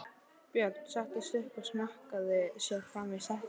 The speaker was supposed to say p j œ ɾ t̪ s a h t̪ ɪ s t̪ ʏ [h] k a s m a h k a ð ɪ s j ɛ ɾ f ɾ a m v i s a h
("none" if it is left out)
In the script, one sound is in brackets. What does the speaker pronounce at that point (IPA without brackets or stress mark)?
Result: h